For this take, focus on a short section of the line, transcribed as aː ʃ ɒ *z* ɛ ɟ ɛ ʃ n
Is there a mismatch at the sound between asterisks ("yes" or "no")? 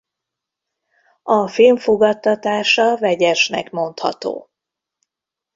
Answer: yes